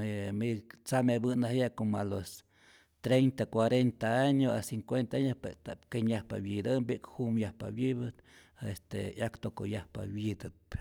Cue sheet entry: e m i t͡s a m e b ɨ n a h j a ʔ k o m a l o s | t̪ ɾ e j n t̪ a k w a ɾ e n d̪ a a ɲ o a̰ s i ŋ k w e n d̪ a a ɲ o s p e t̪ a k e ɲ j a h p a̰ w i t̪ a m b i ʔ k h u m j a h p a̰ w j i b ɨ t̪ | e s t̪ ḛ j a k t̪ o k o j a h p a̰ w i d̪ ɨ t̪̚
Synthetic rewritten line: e m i t͡s a m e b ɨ n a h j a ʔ k o m a l o s | t̪ ɾ e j n t̪ a k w a ɾ e n t̪ a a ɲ o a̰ s i ŋ k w e n t̪ a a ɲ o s p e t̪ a k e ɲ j a h p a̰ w i d̪ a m b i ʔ k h u m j a h p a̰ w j i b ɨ t̪ | e s t̪ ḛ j a k t̪ o k o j a h p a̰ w i d̪ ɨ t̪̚